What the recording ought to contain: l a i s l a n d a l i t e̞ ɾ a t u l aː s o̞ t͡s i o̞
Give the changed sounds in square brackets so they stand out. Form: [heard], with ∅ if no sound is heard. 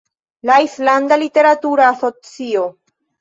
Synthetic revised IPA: l a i s l a n d a l i t e̞ ɾ a t u [ɾ] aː s o̞ t͡s i o̞